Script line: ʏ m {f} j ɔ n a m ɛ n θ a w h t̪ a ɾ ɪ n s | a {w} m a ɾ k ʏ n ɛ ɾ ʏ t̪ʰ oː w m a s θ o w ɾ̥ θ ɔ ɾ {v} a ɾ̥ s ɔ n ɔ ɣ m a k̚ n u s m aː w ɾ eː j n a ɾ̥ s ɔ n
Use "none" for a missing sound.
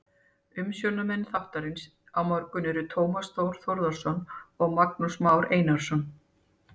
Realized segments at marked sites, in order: s, w, ð

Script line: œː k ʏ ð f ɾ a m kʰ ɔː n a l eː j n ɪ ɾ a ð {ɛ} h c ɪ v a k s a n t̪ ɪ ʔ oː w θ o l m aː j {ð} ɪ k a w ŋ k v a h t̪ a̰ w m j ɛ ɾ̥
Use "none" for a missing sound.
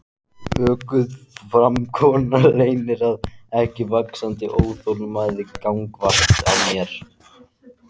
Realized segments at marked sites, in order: ɛ, ð

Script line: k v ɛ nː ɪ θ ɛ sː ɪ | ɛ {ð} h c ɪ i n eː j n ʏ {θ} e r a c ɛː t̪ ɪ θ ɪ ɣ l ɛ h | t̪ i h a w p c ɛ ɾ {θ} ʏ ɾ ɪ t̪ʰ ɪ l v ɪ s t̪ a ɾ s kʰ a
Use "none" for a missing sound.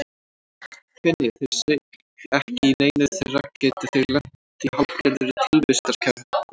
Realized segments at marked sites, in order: none, θ, ð

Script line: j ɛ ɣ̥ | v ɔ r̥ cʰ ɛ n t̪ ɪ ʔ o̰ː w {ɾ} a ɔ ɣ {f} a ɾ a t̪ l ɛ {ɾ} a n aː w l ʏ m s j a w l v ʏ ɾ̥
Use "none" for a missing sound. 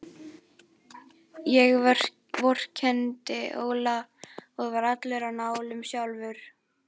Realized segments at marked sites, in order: l, v, ɾ

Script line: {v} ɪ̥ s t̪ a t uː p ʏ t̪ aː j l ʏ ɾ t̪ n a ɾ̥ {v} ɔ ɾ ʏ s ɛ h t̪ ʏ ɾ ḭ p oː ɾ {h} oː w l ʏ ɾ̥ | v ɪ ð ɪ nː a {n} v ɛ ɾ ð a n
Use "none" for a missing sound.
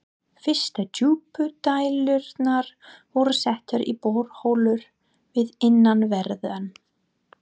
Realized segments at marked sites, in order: f, v, h, n

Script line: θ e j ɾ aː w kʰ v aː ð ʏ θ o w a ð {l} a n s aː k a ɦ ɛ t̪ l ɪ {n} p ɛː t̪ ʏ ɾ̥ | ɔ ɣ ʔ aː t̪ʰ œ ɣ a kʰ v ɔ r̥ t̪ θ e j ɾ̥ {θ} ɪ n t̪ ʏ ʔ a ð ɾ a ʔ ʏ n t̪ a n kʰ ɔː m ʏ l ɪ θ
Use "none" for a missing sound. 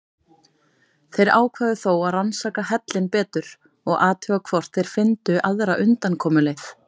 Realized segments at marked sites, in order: r, n, f

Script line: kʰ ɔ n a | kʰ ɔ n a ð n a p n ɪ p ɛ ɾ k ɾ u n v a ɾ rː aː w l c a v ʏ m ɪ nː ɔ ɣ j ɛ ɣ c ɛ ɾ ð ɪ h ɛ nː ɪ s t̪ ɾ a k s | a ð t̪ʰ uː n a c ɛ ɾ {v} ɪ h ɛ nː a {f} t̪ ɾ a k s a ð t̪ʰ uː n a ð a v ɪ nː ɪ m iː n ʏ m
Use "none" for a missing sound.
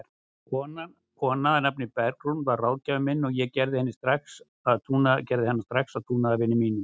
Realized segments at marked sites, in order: ð, s

